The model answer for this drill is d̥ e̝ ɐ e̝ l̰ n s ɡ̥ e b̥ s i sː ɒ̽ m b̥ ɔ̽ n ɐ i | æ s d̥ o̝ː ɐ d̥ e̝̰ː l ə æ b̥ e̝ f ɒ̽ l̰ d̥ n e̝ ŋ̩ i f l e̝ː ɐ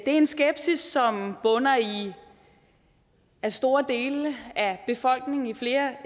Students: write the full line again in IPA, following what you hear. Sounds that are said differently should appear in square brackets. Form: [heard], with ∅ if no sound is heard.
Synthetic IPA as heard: d̥ e̝ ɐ e̝ [∅] n s ɡ̥ e b̥ s i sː ɒ̽ m b̥ ɔ̽ n ɐ i | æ s d̥ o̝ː ɐ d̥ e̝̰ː l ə æ b̥ e̝ f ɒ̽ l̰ [ɡ̥] n e̝ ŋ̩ i f l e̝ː ɐ

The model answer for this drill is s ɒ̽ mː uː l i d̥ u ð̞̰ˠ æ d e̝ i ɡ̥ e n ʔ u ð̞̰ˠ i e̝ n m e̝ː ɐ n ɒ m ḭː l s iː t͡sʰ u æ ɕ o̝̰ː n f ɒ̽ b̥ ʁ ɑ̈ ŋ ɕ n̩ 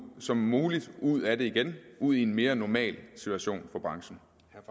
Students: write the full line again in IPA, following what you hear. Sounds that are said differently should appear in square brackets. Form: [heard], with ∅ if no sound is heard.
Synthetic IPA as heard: s ɒ̽ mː uː l i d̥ u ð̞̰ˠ æ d e̝ i ɡ̥ e n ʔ u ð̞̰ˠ i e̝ n m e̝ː ɐ n ɒ m [ɛ̰ː] l s [i] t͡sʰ u æ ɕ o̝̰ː n f ɒ̽ b̥ ʁ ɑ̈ ŋ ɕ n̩

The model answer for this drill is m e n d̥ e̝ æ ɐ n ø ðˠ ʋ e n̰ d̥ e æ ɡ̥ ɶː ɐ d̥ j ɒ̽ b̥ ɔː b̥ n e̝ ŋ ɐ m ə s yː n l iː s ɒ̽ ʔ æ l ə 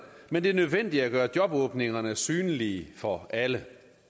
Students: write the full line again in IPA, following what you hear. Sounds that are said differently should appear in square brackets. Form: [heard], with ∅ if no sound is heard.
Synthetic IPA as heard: m e n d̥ e̝ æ ɐ n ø ðˠ ʋ e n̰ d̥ [i] æ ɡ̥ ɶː ɐ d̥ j ɒ̽ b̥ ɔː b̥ n e̝ ŋ ɐ [n] ə s yː n l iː [f] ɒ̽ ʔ æ l ə

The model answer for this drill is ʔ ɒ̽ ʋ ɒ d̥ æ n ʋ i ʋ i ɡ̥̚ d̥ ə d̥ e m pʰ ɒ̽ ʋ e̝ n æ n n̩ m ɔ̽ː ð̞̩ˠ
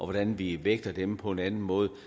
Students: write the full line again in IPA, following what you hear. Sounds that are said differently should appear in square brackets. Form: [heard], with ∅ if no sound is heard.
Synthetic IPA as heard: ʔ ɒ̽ ʋ ɒ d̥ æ n ʋ i ʋ [e] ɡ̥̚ d̥ [ɐ] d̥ e m pʰ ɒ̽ [∅] e̝ n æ n n̩ m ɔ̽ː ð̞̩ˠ

